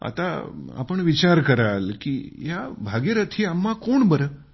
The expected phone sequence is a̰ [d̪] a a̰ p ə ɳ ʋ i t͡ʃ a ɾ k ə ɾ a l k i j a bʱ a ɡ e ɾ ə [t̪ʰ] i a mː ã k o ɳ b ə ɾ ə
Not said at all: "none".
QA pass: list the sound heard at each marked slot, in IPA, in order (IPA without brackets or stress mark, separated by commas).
t̪, t̪ʰ